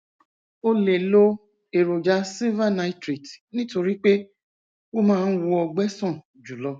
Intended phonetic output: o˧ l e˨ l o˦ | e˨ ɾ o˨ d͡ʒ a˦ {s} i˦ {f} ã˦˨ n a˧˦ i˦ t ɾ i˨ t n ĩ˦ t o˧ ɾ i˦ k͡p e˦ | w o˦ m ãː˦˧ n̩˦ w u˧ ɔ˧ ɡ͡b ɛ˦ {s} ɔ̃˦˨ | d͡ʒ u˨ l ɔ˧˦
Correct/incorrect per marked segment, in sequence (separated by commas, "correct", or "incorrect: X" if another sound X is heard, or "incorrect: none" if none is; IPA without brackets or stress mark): correct, incorrect: v, correct